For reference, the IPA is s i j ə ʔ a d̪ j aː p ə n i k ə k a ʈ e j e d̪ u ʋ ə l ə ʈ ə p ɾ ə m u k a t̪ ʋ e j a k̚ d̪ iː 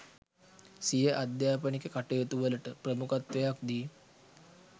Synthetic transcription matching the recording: s i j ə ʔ a d̪ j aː p ə n i k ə k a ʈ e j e t̪ u ʋ ə l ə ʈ ə p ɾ ə m u k a t̪ ʋ e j a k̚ d̪ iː